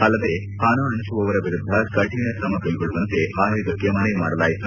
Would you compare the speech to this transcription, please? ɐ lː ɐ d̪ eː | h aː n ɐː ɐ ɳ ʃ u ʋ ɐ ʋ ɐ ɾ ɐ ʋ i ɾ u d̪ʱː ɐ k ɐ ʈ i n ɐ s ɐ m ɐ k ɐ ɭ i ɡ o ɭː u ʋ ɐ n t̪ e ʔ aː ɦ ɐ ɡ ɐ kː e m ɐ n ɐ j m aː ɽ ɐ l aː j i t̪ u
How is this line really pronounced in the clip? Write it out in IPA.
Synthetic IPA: ɐ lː ɐ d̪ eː | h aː n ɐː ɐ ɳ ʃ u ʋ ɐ ʋ ɐ ɾ ɐ ʋ i ɾ u d̪ʱː ɐ k ɐ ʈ i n ɐ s ɐ m ɐ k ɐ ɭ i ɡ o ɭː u ʋ ɐ n t̪ e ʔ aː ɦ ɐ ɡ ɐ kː e m ɐ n ɐ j m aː ɽ ɐ l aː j i t̪ u